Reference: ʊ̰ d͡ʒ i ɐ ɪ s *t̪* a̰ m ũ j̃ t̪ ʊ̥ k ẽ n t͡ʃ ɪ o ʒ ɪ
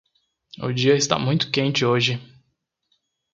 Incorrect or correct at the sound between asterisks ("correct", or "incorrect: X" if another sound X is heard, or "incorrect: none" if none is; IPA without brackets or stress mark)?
correct